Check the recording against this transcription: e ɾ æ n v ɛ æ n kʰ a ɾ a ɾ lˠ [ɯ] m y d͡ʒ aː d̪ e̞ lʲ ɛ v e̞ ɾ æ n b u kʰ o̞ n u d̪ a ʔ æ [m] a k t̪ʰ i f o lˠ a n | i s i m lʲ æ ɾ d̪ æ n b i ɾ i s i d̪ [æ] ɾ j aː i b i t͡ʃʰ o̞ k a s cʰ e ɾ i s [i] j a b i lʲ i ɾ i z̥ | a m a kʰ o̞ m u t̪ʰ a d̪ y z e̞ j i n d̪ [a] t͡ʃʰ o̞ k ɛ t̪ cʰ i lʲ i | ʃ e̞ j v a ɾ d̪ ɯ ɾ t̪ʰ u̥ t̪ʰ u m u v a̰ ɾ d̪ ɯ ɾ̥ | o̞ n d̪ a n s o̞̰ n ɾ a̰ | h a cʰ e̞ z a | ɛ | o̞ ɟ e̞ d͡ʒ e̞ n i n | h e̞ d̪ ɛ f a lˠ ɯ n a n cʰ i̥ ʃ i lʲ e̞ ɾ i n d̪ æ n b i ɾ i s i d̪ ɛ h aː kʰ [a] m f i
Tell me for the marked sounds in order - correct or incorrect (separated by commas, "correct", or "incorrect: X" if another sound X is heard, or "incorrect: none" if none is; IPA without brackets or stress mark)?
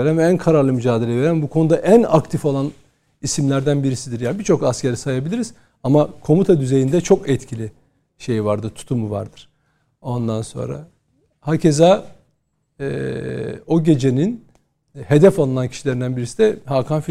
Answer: correct, incorrect: n, incorrect: i, incorrect: a, incorrect: ɛ, correct